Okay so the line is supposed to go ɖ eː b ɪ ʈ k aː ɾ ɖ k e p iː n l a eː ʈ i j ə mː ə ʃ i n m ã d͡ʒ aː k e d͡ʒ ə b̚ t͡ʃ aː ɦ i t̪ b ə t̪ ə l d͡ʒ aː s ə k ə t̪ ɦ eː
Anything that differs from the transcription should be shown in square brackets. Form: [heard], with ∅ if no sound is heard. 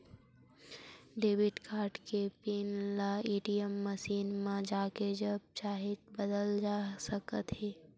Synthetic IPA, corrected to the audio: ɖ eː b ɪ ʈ k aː ɾ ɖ k e p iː n l a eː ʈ i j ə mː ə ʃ [iː] n m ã d͡ʒ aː k e d͡ʒ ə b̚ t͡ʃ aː ɦ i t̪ b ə [d̪] ə l d͡ʒ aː s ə k ə t̪ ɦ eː